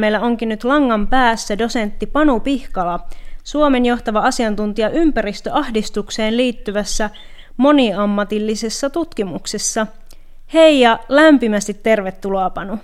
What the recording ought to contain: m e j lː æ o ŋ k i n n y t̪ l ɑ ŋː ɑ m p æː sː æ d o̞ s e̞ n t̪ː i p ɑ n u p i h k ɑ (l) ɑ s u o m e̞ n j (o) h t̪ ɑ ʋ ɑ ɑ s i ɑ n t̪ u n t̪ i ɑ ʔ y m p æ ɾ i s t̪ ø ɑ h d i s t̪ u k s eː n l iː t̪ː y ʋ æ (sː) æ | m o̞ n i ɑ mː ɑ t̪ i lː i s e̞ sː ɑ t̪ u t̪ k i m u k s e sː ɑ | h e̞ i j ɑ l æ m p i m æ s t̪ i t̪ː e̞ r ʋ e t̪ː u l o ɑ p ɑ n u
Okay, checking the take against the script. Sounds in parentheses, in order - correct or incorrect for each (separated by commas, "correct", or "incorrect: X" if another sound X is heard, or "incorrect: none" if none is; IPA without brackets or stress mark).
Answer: correct, correct, correct